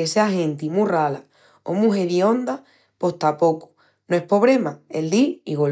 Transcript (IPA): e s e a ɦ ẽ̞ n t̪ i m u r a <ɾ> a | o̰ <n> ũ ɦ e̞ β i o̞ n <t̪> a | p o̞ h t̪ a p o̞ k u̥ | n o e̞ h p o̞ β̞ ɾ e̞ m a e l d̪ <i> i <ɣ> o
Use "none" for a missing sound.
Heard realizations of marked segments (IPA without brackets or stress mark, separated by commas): l, m, d̪, i, ɣ